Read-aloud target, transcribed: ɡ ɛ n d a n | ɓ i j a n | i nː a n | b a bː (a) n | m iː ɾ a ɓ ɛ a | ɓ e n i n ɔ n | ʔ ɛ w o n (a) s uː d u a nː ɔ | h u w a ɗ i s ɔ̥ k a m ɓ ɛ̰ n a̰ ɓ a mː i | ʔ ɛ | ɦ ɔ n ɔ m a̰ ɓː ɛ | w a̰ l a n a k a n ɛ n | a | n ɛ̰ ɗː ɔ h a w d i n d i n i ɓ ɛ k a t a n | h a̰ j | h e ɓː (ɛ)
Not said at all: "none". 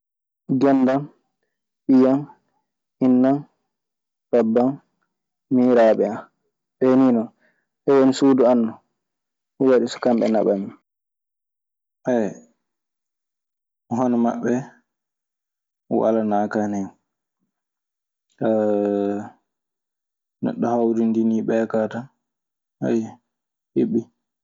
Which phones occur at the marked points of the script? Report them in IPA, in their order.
a, i, i

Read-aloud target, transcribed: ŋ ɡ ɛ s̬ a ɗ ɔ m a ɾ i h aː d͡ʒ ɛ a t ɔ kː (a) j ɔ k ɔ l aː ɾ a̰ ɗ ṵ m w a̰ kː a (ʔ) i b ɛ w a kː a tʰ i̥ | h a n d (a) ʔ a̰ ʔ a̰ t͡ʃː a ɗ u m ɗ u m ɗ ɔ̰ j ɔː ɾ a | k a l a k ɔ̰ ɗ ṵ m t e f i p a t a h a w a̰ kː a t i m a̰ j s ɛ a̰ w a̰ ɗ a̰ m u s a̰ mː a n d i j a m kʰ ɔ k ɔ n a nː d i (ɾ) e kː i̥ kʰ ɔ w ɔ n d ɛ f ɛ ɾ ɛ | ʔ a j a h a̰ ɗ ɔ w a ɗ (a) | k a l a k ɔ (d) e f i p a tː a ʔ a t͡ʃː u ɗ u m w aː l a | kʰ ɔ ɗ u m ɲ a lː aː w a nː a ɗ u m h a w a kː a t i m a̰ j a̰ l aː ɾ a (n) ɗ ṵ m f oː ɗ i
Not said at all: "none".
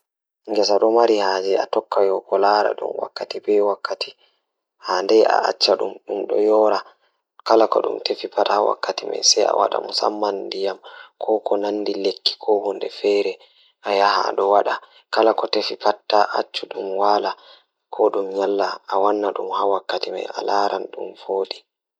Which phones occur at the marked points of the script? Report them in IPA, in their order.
a, t, ɛ, l, a, t, n

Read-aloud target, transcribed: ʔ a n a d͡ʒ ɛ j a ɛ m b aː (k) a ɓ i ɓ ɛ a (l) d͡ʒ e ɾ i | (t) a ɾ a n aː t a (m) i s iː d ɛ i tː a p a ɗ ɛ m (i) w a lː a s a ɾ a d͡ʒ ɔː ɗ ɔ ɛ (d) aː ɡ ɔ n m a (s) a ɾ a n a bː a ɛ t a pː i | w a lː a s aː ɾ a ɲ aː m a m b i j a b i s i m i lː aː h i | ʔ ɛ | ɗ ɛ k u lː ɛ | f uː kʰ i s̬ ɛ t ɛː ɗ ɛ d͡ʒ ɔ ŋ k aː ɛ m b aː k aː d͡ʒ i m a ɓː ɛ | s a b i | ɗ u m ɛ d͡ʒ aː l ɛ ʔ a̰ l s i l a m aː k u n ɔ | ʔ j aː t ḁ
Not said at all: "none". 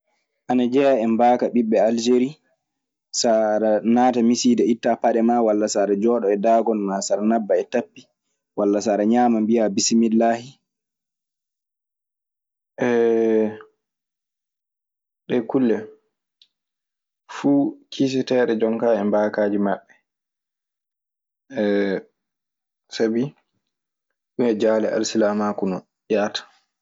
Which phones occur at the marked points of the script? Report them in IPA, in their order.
k, l, s, m, a, d, s

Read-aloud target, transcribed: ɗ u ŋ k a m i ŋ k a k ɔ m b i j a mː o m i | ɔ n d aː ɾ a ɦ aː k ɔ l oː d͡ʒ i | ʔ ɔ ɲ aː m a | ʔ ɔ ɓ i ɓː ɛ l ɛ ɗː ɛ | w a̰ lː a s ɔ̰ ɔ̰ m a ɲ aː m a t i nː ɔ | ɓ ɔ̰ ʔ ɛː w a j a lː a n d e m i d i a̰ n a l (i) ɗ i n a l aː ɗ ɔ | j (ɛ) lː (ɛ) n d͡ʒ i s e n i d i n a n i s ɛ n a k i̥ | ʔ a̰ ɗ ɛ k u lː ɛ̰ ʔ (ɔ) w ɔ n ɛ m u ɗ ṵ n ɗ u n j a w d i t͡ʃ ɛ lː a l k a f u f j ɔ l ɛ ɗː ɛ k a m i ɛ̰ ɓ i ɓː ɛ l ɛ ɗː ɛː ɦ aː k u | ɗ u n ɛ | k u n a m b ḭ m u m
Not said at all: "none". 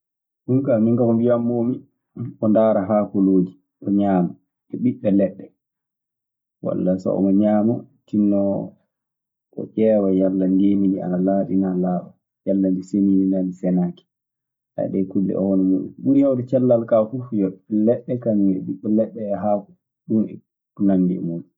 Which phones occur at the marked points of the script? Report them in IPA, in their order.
a, a, a, ɔ

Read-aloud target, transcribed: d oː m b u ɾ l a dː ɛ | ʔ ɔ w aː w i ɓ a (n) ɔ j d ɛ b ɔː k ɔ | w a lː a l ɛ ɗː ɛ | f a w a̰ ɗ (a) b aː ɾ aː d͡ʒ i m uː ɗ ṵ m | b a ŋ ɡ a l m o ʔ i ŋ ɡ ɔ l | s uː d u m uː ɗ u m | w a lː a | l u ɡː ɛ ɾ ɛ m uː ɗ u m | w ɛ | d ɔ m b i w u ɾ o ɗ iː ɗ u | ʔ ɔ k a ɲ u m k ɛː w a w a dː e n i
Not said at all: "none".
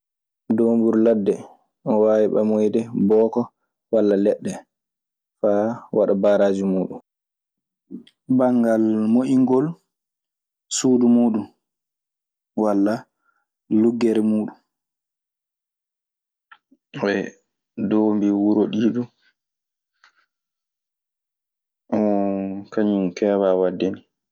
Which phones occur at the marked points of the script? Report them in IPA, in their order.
m, a

